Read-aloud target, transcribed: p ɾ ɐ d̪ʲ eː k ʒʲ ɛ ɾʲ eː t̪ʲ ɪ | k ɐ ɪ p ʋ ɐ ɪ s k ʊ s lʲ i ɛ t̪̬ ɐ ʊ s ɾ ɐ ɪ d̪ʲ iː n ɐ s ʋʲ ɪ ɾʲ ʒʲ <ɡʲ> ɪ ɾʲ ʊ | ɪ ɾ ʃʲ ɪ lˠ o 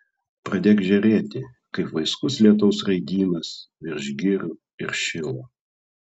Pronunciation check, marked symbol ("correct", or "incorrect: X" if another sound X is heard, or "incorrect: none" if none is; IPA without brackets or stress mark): correct